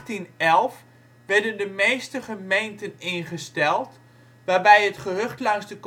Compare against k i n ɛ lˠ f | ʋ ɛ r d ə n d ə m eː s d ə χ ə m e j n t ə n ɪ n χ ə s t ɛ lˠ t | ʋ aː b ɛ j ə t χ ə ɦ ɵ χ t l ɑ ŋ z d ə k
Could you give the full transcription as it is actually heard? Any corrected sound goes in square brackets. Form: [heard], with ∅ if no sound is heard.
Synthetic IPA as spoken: [t] i n ɛ lˠ f | ʋ ɛ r d ə n d ə m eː s [t] ə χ ə m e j n t ə n ɪ n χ ə s t ɛ lˠ t | ʋ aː b ɛ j ə t χ ə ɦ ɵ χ t l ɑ ŋ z d ə k